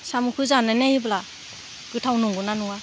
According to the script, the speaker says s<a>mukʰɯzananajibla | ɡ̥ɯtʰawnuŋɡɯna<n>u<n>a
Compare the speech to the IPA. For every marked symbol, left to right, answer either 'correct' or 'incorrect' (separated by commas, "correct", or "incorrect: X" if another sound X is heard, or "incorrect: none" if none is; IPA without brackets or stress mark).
correct, correct, incorrect: ŋ